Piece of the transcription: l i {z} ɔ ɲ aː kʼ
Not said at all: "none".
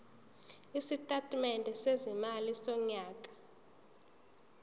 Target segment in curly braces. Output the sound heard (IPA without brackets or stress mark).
s